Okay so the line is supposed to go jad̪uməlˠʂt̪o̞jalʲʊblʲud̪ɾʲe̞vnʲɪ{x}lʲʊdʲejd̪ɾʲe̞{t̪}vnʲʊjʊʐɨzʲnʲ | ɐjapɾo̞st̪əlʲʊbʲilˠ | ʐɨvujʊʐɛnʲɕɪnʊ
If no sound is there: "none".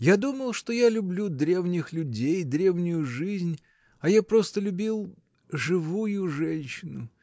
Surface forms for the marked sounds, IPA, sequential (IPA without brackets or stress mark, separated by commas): x, none